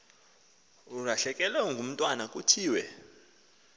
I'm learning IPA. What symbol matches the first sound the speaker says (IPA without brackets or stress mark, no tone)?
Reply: u